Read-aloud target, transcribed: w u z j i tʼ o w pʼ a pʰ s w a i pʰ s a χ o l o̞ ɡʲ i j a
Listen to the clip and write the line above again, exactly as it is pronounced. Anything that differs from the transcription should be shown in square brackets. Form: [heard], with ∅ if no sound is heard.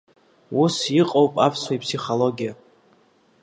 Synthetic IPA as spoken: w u [s] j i [qʼ] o w pʼ a pʰ s w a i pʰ s [i] χ o l o̞ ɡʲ i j a